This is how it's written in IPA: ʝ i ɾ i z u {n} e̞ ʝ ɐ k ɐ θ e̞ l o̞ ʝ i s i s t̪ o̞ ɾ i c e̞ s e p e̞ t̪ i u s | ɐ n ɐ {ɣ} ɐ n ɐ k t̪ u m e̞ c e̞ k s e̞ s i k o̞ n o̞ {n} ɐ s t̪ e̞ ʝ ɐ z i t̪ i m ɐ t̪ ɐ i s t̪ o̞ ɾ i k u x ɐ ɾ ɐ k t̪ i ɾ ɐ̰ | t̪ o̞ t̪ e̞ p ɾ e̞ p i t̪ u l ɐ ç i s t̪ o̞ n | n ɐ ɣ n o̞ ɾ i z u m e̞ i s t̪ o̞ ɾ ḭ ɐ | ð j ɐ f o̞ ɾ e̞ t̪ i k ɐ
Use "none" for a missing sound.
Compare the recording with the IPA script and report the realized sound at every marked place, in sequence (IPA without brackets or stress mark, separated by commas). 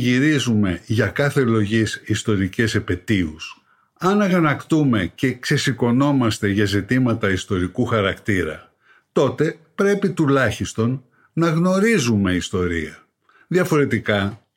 m, ɣ, m